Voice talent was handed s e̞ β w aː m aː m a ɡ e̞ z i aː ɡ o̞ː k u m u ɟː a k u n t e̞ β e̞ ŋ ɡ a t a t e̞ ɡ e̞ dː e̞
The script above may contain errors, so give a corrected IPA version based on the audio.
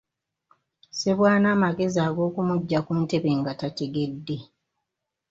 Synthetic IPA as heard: s e̞ β w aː n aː m a ɡ e̞ z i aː ɡ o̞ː k u m u ɟː a k u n t e̞ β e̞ ŋ ɡ a t a t e̞ ɡ e̞ dː e̞